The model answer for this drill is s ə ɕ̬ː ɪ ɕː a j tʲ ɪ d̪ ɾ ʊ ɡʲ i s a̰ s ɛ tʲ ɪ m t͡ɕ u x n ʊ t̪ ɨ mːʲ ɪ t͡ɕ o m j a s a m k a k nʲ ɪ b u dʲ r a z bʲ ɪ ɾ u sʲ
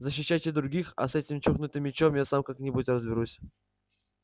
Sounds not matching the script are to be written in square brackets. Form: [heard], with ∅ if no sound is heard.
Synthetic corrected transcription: [z] ə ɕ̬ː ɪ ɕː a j tʲ ɪ d̪ ɾ ʊ ɡʲ i [x] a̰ s ɛ tʲ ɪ m t͡ɕ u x n ʊ t̪ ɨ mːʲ ɪ t͡ɕ o m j a s a m k a k nʲ ɪ b u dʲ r [ə] z bʲ ɪ ɾ u sʲ